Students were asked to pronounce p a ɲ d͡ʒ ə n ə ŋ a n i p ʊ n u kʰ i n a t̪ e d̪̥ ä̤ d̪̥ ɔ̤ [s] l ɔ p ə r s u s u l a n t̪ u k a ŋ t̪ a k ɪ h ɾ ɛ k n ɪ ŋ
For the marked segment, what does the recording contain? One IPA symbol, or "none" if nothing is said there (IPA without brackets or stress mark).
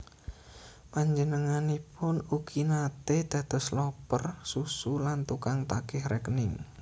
s